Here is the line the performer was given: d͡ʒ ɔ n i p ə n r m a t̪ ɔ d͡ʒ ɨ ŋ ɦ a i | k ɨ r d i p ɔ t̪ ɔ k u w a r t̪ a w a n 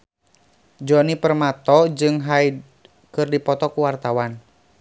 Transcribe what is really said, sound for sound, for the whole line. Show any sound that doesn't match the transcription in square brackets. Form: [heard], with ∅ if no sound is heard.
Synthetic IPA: d͡ʒ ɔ n i p ə [∅] r m a t̪ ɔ d͡ʒ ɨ ŋ ɦ a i | k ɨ r d i p ɔ t̪ ɔ k u w a r t̪ a w a n

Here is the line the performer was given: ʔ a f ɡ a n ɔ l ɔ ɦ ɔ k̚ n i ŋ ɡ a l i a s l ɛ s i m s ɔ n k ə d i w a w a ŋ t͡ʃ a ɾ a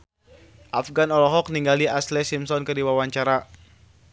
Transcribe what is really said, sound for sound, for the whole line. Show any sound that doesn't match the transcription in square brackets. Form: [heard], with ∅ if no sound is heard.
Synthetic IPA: ʔ a f ɡ a n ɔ l ɔ ɦ ɔ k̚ n i ŋ ɡ a l i a s l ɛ s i m s ɔ n k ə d i w a w a [ɲ] t͡ʃ a ɾ a

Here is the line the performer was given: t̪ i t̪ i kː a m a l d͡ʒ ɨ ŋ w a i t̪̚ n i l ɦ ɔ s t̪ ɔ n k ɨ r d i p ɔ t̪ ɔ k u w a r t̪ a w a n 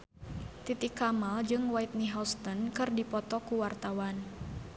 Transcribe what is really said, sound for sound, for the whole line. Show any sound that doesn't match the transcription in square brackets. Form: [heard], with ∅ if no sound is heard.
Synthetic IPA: t̪ i t̪ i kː a m a l d͡ʒ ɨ ŋ w a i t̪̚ n i [∅] ɦ ɔ s t̪ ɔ n k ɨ r d i p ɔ t̪ ɔ k u w a r t̪ a w a n

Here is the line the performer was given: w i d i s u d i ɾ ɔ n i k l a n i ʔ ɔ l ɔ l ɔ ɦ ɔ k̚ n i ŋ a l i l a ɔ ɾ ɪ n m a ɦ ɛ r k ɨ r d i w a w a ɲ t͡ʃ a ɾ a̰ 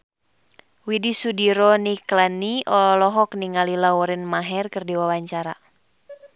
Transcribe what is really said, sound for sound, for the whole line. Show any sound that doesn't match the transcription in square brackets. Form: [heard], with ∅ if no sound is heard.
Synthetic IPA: w i d i s u d i ɾ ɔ n i k l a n i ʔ ɔ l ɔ l ɔ ɦ ɔ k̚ n i ŋ a l i l a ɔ ɾ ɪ n m a ɦ ɛ r k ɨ r d i w a w a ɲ t͡ʃ a ɾ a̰

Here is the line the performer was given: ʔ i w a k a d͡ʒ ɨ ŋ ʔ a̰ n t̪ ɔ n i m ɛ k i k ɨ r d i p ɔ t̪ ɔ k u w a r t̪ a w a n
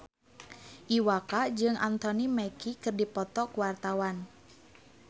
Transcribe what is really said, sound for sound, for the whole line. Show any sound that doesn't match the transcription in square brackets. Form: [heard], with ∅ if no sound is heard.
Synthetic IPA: ʔ i w a k a d͡ʒ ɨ ŋ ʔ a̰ n t̪ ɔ n i m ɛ k i k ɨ r d i p ɔ t̪ ɔ k u w a r t̪ a w a n

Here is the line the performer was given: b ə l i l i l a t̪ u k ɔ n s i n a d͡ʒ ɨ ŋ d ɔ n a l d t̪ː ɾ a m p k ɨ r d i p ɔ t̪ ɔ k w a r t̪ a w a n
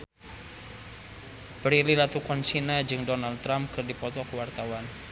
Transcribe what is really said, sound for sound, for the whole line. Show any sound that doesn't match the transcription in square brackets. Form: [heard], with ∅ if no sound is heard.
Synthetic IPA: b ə [ɾ] i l i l a t̪ u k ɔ n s i n a d͡ʒ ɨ ŋ d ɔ n a l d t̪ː ɾ a m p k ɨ r d i p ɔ t̪ ɔ k w a r t̪ a w a n

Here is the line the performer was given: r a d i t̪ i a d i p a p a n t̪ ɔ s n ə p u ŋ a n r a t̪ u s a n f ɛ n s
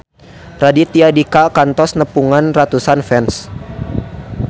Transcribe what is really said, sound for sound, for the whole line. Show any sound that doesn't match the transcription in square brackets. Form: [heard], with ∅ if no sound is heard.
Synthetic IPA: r a d i t̪ i a d i [k] a [k] a n t̪ ɔ s n ə p u ŋ a n r a t̪ u s a n f ɛ n s

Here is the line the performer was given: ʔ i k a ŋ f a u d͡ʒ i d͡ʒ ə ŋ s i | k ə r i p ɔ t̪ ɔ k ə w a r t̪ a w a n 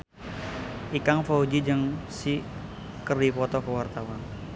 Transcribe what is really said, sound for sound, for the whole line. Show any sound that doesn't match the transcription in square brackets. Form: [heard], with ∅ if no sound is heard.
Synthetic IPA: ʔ i k a ŋ f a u d͡ʒ i d͡ʒ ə ŋ s i | k ə r i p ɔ t̪ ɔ k ə w a r t̪ a w a n

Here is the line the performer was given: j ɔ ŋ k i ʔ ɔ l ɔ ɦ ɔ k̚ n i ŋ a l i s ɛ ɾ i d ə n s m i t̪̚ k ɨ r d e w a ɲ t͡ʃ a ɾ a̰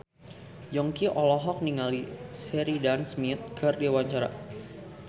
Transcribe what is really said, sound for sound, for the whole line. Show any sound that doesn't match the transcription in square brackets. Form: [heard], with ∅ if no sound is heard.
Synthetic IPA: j ɔ ŋ k i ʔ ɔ l ɔ ɦ ɔ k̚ n i ŋ a l i s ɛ ɾ i d [a] n s m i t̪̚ k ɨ r d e w a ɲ t͡ʃ a ɾ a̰

